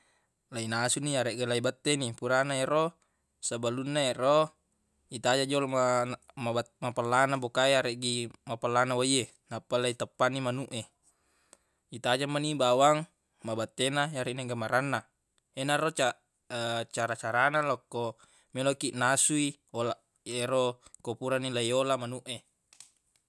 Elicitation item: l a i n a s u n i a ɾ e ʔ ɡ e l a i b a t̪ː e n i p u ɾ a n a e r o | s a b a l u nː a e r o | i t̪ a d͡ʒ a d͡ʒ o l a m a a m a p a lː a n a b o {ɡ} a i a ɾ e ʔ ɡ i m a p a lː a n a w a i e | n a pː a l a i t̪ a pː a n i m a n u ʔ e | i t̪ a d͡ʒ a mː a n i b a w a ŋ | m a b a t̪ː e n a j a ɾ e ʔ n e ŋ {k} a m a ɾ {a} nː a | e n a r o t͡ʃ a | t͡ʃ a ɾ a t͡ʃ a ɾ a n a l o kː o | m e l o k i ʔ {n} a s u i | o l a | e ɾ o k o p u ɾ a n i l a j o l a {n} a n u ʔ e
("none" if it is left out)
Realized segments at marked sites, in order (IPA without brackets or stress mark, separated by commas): k, ɡ, a, n, m